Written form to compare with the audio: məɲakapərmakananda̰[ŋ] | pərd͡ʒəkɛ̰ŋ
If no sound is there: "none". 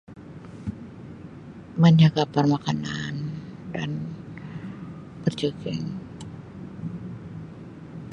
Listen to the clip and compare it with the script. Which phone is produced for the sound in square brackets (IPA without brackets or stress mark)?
n